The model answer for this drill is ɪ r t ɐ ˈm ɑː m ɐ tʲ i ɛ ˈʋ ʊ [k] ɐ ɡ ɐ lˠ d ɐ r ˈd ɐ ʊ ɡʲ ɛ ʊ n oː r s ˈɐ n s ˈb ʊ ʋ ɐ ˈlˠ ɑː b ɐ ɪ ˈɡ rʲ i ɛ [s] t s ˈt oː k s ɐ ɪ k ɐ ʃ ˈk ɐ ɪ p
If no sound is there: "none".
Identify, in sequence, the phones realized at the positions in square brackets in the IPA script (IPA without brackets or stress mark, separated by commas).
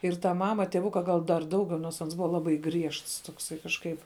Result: k, ʃ